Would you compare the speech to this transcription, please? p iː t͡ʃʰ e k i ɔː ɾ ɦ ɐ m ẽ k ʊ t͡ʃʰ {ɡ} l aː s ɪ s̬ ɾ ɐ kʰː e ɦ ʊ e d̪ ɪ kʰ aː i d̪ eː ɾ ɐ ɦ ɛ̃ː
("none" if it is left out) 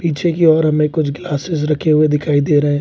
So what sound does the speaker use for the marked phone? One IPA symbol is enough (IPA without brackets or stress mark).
ɡ